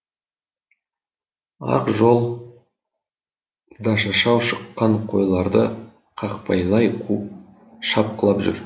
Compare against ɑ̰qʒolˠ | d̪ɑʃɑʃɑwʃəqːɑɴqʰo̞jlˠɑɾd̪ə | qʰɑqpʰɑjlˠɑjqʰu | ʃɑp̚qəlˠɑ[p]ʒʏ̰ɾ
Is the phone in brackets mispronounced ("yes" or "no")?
no